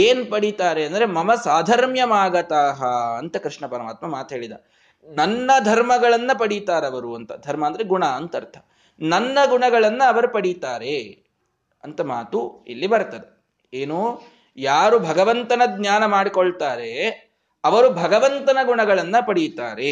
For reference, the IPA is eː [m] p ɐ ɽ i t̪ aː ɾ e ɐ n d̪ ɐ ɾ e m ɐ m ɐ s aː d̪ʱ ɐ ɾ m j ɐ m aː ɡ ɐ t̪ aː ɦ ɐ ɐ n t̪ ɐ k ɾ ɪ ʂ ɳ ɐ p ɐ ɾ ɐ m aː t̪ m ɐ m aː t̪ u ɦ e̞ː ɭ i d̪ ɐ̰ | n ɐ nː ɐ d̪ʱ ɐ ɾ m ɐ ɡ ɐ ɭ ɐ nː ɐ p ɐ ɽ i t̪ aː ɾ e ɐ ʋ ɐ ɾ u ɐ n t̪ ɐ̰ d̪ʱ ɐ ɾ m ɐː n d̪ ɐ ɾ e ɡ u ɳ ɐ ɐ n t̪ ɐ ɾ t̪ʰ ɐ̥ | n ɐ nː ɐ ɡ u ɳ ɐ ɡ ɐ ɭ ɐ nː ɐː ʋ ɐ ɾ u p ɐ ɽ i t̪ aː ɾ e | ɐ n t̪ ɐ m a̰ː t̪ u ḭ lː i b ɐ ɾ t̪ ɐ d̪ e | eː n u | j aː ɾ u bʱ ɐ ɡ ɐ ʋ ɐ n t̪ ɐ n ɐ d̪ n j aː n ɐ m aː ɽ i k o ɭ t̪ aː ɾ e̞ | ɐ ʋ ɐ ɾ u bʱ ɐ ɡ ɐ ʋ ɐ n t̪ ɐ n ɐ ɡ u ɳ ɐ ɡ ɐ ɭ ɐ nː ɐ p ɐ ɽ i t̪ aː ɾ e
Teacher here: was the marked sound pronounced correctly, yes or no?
no